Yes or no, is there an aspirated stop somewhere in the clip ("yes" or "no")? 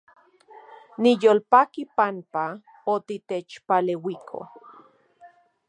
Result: yes